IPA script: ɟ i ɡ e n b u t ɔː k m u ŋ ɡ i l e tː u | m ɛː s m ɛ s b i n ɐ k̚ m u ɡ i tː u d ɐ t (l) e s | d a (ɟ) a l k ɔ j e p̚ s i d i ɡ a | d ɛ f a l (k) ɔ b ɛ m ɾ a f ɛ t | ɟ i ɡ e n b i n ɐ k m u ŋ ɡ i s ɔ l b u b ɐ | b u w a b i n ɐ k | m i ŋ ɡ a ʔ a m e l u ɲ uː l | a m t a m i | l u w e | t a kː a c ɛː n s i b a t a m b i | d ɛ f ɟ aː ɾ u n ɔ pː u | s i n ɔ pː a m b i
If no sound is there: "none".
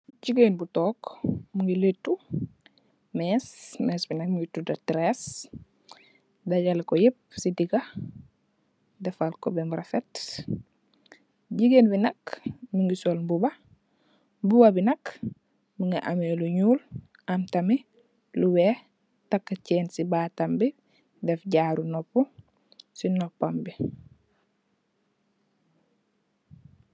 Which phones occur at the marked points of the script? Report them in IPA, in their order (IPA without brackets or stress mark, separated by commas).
ɾ, ɟ, k